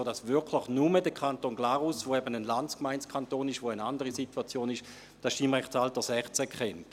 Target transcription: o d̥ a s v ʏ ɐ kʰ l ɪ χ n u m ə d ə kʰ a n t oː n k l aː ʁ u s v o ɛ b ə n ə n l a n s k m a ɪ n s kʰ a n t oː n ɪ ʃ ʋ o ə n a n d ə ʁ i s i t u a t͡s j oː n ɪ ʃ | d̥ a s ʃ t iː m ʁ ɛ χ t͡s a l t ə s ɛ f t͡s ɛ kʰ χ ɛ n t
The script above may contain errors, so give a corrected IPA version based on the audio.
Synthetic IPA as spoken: o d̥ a s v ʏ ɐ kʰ l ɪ χ n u m ə d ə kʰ a n t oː n ɡ l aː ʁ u s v o ɛ b ə n ə n l a n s k m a ɪ n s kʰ a n t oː n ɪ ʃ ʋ o ə n a n d ə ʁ i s i t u a t͡s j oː n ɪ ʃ | d̥ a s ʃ t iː m ʁ ɛ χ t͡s a l t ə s ɛ χ t͡s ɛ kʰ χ ɛ n t